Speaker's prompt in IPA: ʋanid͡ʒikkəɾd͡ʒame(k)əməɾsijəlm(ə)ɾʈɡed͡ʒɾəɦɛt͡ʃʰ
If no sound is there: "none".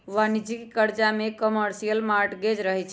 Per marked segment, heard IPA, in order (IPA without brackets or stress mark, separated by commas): k, a